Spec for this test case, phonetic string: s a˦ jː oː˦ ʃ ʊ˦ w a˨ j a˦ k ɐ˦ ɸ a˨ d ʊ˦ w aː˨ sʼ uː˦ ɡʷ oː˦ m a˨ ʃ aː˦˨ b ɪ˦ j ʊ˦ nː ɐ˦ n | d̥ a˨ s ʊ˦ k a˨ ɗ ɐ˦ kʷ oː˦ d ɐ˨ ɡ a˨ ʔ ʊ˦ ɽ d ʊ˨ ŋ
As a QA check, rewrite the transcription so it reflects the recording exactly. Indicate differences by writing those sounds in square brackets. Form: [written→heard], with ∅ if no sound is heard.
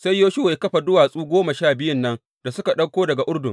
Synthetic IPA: s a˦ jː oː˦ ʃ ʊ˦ w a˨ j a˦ k ɐ˦ ɸ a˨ d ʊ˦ w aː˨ sʼ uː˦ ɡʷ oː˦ m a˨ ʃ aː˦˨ b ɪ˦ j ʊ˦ nː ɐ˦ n | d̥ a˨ s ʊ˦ k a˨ ɗ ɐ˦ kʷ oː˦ d ɐ˨ ɡ a˨ ʔ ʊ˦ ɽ d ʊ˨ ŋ